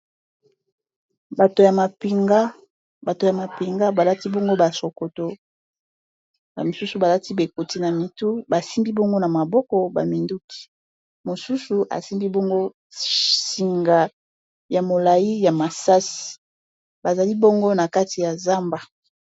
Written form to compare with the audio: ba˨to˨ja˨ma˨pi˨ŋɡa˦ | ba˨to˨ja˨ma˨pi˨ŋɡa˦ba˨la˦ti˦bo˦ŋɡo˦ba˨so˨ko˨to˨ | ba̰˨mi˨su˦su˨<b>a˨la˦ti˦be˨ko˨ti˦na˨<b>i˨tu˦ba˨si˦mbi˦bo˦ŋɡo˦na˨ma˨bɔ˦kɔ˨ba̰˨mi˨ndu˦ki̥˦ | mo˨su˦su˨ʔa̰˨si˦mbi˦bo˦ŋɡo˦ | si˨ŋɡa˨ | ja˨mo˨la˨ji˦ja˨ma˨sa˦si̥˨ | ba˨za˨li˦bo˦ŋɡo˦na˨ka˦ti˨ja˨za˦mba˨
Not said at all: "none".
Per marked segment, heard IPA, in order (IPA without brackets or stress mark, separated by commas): b, m